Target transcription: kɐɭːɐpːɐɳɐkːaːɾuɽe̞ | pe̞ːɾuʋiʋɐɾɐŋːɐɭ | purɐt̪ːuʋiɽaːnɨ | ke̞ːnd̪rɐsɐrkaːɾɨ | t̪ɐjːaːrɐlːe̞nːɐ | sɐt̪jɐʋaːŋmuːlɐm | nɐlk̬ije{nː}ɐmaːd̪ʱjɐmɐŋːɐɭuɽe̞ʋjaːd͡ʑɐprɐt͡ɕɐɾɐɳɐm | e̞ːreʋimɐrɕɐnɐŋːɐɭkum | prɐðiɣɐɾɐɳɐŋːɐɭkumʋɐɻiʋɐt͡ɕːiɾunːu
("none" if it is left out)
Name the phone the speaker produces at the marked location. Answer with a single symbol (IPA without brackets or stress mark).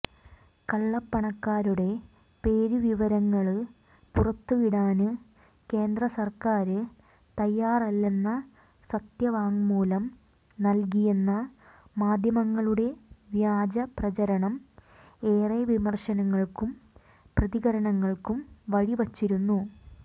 nː